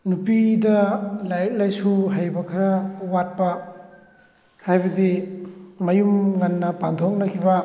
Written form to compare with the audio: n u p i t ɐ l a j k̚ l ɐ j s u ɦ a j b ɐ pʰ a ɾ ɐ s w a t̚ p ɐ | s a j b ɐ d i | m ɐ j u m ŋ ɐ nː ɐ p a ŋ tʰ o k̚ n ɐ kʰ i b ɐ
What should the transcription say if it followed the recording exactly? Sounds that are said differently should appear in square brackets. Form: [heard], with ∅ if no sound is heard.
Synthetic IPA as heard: n u p i [d] ɐ l a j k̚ l [a] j s u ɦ a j b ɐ [kʰ] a ɾ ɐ [∅] w a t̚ p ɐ | [h] a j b ɐ d i | m ɐ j u m ŋ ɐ nː ɐ p a [n] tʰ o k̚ n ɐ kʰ i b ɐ